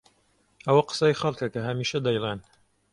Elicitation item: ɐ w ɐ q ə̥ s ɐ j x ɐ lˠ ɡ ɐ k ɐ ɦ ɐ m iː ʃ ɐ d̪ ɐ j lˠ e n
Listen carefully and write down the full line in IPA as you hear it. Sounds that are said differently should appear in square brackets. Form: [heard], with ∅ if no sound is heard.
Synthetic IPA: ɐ w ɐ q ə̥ s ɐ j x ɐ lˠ [k] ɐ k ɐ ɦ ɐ m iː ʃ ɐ d̪ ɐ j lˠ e n